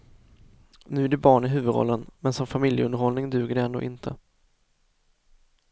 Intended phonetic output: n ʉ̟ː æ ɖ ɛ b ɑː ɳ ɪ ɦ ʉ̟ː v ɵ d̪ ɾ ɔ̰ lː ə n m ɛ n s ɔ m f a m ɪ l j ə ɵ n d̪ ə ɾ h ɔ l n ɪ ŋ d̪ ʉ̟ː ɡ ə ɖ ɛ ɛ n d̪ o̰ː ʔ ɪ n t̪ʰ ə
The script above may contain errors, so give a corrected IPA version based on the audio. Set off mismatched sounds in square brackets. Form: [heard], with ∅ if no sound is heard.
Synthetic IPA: n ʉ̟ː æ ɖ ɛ b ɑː ɳ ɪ ɦ ʉ̟ː v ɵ d̪ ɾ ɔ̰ lː ə n m ɛ n s ɔ m f a m ɪ l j ə ɵ n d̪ ə ɾ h ɔ l n ɪ ŋ d̪ ʉ̟ː ɡ ə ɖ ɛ ɛ n d̪ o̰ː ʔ ɪ n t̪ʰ ə